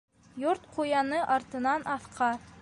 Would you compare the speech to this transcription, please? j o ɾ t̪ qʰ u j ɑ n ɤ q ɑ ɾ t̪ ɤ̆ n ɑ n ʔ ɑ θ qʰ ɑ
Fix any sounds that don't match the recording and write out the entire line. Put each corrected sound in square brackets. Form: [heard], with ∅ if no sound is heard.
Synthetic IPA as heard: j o ɾ t̪ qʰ u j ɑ n ɤ [ʔ] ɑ ɾ t̪ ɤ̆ n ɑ n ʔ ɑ θ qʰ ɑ